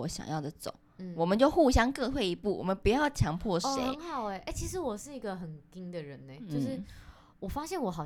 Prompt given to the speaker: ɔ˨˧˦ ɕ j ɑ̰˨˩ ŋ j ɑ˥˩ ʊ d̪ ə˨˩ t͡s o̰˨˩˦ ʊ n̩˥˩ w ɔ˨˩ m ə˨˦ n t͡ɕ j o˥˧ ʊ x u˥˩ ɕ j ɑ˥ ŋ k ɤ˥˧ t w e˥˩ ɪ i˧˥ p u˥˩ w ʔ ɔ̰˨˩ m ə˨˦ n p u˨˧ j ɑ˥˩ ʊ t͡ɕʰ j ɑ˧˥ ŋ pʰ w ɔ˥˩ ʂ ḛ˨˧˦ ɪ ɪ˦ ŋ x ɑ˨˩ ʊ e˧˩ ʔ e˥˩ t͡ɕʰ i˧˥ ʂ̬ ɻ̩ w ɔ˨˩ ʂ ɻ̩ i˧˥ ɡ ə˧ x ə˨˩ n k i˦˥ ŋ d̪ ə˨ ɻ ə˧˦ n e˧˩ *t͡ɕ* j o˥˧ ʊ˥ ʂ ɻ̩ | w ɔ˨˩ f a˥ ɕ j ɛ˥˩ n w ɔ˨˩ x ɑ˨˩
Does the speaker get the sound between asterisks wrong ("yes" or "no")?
no